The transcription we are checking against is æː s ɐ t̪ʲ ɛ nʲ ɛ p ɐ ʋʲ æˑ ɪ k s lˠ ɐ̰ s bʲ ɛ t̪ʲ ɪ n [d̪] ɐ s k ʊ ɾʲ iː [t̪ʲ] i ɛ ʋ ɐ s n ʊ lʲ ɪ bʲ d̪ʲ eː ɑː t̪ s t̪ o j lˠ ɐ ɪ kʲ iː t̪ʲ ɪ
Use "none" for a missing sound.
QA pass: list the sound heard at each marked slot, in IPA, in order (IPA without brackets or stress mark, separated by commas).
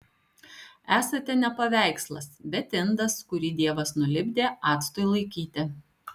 d̪, d̪ʲ